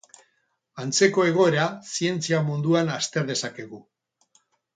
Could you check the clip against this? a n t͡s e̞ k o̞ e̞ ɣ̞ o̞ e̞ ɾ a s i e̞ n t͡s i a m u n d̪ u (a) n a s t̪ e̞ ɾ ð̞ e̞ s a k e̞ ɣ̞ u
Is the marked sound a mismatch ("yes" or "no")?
no